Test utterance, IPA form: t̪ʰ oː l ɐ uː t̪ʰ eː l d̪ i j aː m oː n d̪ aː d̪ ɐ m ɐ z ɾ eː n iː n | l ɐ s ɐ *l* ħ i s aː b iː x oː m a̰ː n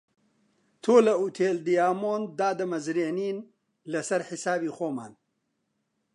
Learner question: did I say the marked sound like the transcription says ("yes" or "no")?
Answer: no